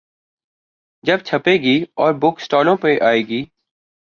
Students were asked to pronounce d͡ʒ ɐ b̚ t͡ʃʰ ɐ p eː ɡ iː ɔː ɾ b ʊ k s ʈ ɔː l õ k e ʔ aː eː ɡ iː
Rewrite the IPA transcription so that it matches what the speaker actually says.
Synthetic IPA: d͡ʒ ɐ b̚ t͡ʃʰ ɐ p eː ɡ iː ɔː ɾ b ʊ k s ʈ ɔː l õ p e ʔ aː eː ɡ iː